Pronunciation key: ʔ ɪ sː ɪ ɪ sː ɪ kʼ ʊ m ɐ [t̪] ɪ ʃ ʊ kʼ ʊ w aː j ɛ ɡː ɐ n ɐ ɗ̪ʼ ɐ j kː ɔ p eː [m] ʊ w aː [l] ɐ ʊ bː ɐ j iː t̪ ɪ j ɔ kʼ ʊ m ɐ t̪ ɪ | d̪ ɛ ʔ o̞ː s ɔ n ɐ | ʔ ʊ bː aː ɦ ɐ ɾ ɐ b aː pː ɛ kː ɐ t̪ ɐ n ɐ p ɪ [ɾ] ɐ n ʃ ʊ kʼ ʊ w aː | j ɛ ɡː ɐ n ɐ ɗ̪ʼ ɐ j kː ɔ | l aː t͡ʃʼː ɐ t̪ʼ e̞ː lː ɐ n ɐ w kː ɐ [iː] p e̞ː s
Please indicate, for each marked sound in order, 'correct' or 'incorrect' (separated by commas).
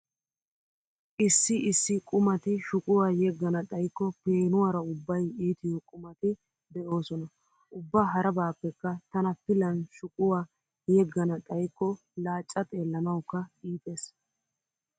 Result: correct, incorrect, incorrect, incorrect, correct